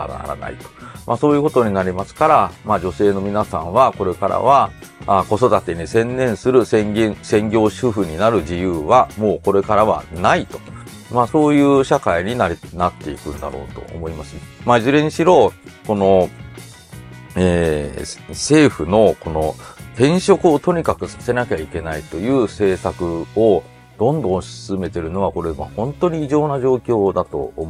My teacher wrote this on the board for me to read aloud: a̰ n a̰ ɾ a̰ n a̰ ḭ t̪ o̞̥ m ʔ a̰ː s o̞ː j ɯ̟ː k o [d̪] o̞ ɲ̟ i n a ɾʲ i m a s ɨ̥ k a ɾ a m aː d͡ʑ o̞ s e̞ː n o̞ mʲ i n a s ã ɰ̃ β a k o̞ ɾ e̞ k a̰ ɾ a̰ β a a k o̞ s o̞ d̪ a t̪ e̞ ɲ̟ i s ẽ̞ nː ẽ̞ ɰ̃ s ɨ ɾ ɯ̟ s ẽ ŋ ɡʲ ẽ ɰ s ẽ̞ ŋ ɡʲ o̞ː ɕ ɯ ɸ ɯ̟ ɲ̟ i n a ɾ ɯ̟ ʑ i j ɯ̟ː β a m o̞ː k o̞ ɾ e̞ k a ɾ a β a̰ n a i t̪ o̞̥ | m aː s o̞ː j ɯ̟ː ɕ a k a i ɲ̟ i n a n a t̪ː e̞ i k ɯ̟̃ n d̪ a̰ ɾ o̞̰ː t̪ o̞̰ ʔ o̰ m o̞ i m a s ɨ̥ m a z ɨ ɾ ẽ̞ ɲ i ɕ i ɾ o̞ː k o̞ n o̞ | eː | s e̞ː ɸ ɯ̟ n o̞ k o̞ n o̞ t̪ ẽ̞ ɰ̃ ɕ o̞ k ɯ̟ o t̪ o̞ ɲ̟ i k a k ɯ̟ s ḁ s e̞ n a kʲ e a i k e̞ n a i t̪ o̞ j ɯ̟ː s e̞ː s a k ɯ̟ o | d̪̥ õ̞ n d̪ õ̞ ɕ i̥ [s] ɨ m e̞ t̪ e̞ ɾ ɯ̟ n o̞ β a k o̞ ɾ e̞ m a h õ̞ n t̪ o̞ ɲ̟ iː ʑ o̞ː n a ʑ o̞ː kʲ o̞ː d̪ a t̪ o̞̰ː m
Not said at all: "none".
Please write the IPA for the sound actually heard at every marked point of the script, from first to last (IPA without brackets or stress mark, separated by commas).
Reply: t̪, s